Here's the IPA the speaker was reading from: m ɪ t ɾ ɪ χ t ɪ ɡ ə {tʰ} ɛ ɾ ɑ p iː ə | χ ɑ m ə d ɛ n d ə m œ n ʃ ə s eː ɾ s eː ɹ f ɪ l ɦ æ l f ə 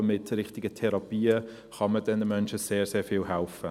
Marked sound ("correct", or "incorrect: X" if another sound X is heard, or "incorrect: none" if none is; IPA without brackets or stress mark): correct